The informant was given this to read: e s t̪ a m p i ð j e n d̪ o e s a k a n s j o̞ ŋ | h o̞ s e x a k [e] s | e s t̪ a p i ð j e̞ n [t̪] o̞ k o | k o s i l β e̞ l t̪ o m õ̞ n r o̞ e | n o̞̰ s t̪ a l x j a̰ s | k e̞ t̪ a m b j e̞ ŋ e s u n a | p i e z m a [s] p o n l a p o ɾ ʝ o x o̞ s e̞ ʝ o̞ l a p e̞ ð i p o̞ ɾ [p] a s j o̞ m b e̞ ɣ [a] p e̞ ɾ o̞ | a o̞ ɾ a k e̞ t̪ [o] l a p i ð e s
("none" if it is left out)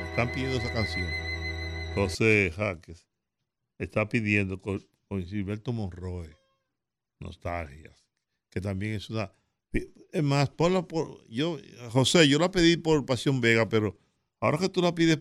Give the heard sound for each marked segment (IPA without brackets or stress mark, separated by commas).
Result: e, d̪, s, p, a, u